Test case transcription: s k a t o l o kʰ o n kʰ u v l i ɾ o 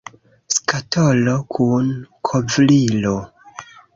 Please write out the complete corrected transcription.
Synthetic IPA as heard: s k a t o l o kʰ u n kʰ o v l i l o